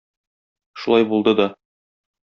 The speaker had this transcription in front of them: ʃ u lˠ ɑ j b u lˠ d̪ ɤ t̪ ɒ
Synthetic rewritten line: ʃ u lˠ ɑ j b u lˠ d̪ ɤ d̪ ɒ